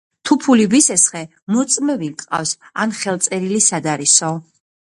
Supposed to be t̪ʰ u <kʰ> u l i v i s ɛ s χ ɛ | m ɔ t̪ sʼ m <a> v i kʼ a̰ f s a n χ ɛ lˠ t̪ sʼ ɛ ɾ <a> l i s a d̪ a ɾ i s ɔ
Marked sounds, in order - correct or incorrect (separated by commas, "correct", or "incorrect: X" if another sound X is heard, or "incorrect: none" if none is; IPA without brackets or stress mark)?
incorrect: pʰ, incorrect: ɛ, incorrect: i